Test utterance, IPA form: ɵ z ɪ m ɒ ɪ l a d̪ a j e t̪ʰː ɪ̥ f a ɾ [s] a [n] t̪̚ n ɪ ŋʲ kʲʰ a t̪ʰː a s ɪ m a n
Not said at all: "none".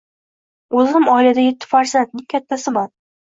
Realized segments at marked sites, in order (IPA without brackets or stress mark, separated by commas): s, n